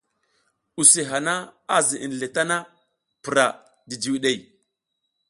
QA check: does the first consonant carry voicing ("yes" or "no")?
no